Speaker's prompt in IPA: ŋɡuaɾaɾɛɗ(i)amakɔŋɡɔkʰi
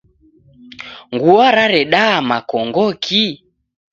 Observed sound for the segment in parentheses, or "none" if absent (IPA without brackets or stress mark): a